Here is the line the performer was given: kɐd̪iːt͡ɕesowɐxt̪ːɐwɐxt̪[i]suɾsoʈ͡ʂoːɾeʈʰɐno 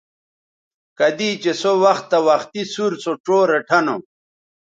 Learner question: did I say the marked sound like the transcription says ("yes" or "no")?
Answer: yes